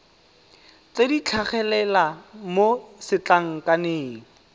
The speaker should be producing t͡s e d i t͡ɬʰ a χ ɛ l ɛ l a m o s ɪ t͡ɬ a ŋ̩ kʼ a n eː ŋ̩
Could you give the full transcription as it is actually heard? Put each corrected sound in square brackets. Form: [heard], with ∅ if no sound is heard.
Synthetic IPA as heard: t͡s e d i t͡ɬʰ a χ ɛ l ɛ l a m o s ɪ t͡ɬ a ŋ̩ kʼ a n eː ŋ̩